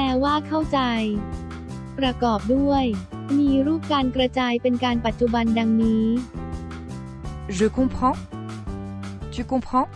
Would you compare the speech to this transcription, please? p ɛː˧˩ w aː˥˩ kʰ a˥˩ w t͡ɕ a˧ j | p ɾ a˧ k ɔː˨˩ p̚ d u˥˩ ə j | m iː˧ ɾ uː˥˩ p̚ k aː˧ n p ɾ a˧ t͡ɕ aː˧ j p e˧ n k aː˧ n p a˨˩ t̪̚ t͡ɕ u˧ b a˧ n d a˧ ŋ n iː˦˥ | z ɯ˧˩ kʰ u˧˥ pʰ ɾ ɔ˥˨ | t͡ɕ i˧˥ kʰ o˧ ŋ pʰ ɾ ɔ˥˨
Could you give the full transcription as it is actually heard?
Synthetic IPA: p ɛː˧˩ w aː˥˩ kʰ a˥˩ w t͡ɕ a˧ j | p ɾ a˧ k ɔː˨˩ p̚ d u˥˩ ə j | m iː˧ ɾ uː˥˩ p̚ k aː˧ n k ɾ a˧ t͡ɕ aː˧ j p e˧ n k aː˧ n p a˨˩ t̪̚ t͡ɕ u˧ b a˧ n d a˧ ŋ n iː˦˥ | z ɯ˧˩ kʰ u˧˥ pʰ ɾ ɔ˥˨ | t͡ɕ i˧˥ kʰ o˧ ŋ pʰ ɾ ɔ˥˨

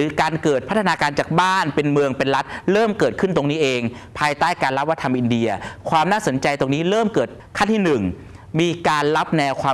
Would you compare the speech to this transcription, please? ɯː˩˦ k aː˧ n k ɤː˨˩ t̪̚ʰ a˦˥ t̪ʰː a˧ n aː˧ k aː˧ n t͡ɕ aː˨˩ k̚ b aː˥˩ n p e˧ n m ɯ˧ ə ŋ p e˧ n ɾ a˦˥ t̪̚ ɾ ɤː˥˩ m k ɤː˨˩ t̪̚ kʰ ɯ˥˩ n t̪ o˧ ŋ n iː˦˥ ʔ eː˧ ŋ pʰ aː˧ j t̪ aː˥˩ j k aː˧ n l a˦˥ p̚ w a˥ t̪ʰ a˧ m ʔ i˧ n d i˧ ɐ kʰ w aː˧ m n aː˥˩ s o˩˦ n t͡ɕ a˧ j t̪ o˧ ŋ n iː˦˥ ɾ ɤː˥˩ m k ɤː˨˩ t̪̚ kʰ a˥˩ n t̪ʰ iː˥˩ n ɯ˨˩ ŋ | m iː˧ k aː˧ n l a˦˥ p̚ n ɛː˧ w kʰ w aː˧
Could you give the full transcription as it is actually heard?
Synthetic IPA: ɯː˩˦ k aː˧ n k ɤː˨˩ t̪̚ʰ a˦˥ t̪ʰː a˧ n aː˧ k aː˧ n t͡ɕ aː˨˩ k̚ b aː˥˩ n p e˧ n m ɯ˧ ə ŋ p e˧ n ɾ a˦˥ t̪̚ ɾ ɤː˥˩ m k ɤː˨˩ t̪̚ kʰ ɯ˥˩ n t̪ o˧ ŋ n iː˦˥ ʔ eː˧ ŋ pʰ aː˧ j t̪ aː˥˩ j k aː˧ n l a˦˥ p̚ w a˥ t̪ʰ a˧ m ʔ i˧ n d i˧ ɐ kʰ w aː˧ m n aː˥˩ s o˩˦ n t͡ɕ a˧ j t̪ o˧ ŋ n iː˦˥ ɾ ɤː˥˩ m k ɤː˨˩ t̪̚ kʰ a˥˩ n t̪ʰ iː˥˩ n ɯ˨˩ ŋ | m iː˧ k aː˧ n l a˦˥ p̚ n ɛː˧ w kʰ w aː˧

